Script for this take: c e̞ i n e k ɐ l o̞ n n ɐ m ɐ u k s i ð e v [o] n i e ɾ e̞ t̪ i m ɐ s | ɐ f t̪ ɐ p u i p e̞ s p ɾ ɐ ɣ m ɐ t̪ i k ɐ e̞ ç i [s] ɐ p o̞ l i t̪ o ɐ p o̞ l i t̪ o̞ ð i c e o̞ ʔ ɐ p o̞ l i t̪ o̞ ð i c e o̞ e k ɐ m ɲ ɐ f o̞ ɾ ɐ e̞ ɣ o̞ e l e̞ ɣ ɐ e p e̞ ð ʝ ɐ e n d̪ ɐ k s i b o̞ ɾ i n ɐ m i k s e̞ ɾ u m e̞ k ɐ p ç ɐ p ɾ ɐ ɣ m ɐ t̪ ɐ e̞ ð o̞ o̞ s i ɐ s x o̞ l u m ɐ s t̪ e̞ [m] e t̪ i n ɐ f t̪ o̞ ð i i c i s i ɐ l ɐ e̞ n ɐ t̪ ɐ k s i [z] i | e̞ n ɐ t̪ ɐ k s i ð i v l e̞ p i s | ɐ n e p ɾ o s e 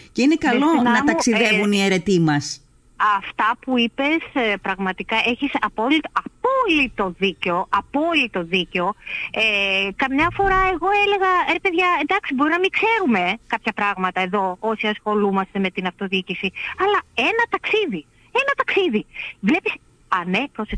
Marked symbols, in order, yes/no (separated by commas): no, yes, yes, no